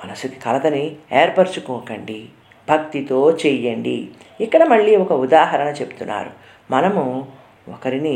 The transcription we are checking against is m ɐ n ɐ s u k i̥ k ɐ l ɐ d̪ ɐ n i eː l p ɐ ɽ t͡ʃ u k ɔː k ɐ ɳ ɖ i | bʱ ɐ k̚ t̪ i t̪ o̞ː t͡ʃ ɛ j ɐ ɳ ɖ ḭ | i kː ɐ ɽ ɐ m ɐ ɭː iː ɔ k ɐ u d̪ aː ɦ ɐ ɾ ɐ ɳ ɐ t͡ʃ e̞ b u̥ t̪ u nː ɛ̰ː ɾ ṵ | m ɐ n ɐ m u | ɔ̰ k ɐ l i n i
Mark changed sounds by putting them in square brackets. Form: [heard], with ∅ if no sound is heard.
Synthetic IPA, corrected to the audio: m ɐ n ɐ s u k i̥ k ɐ l ɐ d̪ ɐ n i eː [ɾ] p ɐ [ɾ] t͡ʃ u k ɔː k ɐ ɳ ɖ i | bʱ ɐ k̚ t̪ i t̪ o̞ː t͡ʃ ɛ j ɐ ɳ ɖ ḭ | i kː ɐ ɽ ɐ m ɐ ɭː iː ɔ k ɐ u d̪ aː ɦ ɐ ɾ ɐ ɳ ɐ t͡ʃ e̞ b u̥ t̪ u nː [a̰ː] ɾ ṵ | m ɐ n ɐ m u | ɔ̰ k ɐ [ɾ] i n i